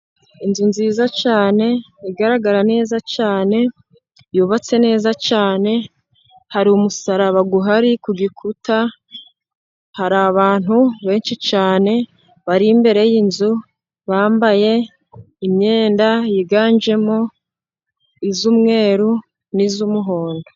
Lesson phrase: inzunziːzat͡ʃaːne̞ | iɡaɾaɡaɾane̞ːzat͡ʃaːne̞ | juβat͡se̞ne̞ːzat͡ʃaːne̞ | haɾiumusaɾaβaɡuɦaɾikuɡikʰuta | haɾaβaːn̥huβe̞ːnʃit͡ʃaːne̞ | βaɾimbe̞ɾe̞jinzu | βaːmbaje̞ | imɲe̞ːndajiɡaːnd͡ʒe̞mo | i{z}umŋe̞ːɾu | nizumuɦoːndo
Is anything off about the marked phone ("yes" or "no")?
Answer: no